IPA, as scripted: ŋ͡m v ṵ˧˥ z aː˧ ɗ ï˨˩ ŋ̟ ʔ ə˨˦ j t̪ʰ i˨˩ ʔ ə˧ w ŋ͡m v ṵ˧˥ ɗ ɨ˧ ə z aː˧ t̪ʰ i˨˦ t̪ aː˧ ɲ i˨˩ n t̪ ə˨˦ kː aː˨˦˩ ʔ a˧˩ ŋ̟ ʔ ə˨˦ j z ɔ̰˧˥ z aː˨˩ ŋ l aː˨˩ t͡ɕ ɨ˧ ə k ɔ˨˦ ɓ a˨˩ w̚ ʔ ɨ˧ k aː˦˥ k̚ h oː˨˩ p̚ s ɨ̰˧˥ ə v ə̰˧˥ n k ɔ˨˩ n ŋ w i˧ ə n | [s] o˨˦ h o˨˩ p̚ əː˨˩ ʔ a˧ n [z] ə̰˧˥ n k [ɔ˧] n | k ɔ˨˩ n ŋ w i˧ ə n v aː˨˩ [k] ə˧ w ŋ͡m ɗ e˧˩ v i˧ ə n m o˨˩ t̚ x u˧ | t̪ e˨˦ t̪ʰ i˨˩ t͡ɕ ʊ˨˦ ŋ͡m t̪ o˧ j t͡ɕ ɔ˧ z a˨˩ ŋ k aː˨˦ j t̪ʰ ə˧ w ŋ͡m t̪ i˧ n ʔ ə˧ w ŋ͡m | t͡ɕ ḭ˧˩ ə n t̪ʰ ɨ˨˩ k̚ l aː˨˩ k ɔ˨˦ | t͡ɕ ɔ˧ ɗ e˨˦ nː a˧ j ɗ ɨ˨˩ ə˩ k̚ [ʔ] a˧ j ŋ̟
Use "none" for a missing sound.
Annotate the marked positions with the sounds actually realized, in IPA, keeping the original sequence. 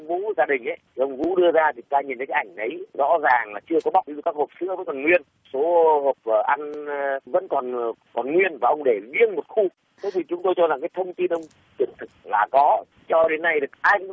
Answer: s, v, ɔ˨˩, ʔ, ʔ

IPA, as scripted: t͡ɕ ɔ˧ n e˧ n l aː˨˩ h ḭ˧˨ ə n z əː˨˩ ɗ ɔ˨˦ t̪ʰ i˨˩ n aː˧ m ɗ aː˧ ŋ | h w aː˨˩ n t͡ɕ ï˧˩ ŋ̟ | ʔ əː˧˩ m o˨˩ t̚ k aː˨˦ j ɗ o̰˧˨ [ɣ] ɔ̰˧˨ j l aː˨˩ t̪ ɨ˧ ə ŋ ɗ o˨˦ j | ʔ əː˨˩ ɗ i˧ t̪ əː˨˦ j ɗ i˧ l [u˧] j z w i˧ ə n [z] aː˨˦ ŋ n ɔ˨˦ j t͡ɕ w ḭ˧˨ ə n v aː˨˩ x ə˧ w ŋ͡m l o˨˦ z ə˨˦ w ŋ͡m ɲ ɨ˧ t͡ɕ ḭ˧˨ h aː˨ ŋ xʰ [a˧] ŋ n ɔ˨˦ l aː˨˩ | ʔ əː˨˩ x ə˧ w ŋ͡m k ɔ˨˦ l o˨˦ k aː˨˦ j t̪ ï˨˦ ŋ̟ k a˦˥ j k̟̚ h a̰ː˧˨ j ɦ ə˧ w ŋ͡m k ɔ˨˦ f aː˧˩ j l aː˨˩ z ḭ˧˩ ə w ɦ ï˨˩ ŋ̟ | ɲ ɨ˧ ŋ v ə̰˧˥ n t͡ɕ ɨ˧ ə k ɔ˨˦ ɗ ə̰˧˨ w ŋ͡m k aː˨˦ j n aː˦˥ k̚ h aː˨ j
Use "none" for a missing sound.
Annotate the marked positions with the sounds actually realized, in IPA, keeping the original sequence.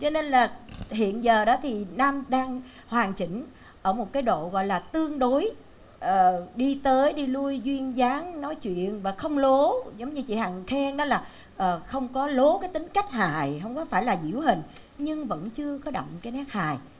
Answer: ɣ, u˧, z, ɛ˧

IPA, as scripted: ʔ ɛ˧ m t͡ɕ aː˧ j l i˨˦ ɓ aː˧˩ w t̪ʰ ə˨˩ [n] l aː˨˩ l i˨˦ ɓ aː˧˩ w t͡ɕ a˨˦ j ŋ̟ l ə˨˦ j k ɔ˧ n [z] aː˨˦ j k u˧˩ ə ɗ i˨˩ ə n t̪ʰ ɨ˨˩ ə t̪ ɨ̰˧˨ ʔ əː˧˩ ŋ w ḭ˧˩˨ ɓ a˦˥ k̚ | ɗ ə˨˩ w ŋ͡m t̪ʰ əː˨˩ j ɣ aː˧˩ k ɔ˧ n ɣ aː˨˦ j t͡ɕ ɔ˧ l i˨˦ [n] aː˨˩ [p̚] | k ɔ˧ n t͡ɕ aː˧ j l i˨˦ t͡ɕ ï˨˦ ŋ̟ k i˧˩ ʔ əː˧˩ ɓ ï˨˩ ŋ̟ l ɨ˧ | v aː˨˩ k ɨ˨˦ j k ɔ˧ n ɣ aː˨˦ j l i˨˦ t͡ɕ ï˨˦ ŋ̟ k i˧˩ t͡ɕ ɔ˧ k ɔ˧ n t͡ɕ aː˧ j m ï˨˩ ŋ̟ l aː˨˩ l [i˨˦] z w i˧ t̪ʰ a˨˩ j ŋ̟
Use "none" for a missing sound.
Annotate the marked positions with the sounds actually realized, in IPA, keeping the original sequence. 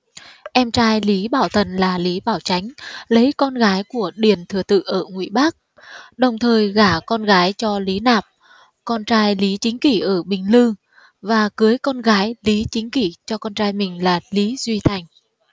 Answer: n, ɣ, n, p̚, i˨˦

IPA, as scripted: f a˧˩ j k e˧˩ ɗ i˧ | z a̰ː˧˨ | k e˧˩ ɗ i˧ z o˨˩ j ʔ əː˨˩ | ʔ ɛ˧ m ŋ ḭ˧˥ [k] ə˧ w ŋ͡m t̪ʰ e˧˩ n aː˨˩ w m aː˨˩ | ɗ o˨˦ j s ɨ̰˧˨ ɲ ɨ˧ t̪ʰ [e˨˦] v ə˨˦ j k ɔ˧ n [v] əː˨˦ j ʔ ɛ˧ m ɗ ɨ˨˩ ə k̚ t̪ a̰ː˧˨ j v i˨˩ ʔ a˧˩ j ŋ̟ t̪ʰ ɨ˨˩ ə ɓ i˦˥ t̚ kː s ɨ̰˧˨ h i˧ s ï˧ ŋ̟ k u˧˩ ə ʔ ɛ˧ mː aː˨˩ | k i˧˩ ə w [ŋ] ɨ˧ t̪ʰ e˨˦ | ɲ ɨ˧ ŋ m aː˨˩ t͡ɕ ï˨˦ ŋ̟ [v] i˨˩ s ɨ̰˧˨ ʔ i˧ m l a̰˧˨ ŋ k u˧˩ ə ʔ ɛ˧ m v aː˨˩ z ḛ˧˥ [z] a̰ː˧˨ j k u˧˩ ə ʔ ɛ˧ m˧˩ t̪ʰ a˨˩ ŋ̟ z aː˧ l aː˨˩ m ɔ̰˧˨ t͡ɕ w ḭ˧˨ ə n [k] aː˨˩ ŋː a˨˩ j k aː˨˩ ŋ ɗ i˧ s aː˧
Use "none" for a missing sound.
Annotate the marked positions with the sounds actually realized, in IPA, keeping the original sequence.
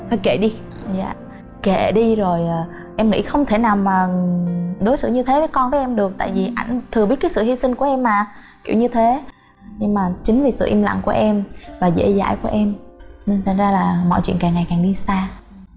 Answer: x, e˨˦, v, ɲ, v, z, k

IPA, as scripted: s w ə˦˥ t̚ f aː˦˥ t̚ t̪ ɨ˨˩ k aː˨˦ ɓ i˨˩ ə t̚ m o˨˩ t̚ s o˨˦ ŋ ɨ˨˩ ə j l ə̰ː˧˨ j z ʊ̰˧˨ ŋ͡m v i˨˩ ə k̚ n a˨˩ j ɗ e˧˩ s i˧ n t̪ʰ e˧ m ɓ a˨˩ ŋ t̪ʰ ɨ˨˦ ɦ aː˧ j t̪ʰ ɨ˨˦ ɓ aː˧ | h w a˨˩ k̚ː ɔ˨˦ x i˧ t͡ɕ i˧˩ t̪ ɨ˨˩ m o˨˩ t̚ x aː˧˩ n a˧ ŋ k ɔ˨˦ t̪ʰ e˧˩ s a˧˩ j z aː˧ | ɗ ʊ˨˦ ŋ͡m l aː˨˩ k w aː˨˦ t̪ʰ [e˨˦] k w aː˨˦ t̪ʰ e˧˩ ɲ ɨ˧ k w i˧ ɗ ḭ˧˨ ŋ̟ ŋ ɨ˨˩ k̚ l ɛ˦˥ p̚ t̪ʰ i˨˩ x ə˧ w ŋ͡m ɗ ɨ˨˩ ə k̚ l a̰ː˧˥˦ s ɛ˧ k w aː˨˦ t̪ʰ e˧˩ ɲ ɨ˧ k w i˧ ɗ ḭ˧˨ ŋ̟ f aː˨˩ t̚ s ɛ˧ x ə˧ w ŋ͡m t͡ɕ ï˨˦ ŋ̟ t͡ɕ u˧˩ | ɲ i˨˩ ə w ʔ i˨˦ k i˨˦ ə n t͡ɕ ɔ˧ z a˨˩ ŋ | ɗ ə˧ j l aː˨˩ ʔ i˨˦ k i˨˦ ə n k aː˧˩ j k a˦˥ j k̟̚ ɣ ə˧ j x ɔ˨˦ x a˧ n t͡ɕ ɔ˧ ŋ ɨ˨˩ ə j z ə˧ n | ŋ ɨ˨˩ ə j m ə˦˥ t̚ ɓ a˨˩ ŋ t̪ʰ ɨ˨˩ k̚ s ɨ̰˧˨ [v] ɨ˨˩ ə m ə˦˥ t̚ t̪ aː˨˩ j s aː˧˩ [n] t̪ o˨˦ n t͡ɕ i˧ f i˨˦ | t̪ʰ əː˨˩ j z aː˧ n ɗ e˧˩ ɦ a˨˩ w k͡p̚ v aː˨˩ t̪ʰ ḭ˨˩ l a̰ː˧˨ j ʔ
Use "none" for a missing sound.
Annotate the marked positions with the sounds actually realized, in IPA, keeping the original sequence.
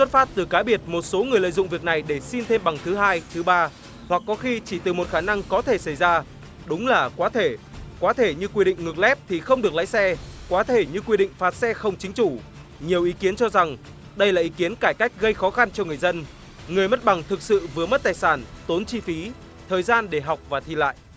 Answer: e˧˩, v, n

